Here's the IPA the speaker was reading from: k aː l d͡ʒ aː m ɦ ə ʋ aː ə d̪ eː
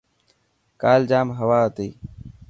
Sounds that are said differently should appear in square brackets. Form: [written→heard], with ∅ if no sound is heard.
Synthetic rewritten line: k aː l d͡ʒ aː m ɦ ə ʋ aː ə [d̪→t̪] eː